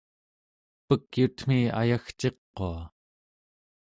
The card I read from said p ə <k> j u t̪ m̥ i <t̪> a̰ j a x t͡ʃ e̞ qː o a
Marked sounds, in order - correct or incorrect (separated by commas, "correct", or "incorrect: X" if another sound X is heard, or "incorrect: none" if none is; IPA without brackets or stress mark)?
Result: correct, incorrect: none